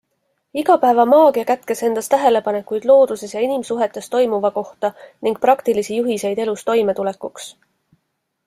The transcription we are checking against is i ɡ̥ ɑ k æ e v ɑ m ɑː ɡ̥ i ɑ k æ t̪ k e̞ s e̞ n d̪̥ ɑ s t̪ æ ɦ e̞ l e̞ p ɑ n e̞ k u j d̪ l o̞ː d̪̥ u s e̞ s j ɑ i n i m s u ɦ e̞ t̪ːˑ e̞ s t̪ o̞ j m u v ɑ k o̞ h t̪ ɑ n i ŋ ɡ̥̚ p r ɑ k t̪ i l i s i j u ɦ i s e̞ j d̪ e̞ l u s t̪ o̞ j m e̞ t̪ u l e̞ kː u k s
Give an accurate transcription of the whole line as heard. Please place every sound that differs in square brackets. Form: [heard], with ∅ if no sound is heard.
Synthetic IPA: i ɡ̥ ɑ [p] æ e v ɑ m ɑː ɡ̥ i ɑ k æ t̪ k e̞ s e̞ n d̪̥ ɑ s t̪ æ ɦ e̞ l e̞ p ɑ n e̞ k u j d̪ l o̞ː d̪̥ u s e̞ s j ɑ i n i m s u ɦ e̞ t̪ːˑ e̞ s t̪ o̞ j m u v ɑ k o̞ h t̪ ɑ n i ŋ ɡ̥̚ p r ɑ k t̪ i l i s i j u ɦ i s e̞ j d̪ e̞ l u s t̪ o̞ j m e̞ t̪ u l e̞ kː u k s